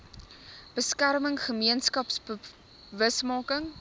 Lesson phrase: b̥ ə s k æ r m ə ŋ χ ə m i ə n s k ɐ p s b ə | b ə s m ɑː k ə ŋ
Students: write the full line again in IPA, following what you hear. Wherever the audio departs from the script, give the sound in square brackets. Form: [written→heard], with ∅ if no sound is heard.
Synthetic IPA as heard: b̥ ə s k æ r m ə ŋ χ ə m i ə n s k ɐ p s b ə | [b→v] ə s m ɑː k ə ŋ